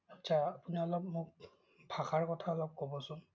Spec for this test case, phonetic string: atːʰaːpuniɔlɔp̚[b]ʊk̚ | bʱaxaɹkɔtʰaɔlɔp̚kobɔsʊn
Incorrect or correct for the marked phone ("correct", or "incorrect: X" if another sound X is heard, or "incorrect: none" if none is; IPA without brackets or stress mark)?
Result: incorrect: m